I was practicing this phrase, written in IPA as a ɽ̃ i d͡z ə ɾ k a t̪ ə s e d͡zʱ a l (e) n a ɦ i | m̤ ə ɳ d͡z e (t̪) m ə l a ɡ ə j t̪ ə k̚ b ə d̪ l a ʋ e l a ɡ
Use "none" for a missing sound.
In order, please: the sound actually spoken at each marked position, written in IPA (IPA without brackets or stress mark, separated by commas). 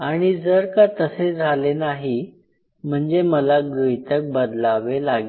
e, none